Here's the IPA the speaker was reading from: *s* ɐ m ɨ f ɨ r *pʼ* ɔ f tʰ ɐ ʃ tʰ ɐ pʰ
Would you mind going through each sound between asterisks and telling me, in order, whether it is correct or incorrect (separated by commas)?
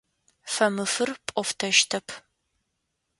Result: incorrect, correct